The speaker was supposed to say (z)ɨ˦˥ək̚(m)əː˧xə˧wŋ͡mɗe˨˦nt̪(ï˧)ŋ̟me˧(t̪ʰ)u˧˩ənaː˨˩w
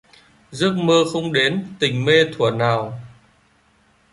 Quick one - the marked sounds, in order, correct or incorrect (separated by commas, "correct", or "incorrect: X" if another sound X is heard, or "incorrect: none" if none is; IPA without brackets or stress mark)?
correct, correct, incorrect: ï˨˩, correct